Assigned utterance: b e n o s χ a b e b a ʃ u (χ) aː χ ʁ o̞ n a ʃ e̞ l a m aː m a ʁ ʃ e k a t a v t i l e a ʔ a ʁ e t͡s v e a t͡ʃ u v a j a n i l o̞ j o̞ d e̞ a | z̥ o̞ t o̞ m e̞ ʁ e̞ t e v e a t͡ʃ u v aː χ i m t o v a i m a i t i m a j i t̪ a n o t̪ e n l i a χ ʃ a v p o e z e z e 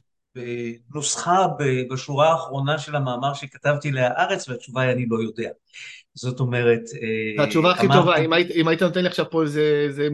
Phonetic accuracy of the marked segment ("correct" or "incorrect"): incorrect